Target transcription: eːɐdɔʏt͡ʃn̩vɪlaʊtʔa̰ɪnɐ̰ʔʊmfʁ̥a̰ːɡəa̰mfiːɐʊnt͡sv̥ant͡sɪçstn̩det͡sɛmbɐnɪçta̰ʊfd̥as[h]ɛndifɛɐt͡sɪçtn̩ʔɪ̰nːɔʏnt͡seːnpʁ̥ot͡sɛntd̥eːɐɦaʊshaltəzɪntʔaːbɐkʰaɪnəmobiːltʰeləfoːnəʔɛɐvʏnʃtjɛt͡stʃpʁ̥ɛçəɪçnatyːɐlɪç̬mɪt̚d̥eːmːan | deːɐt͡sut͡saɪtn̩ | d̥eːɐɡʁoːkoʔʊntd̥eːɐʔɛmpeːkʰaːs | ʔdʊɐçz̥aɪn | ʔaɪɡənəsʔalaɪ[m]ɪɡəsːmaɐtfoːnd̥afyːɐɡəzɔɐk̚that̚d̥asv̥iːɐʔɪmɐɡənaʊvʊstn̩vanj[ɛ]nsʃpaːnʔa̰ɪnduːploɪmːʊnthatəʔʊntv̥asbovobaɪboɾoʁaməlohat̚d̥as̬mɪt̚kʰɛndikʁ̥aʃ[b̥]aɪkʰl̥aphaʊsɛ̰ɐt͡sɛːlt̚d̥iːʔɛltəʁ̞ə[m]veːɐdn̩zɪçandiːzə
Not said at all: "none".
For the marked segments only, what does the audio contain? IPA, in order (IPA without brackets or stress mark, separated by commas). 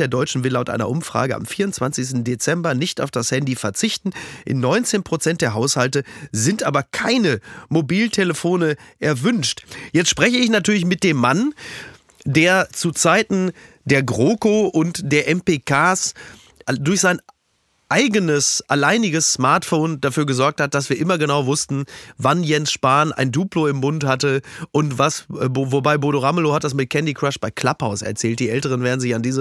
h, n, ɛ, b̥, n